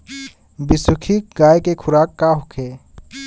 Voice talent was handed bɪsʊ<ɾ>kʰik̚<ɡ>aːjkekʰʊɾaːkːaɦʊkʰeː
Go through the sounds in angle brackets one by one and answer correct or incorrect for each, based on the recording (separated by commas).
incorrect, correct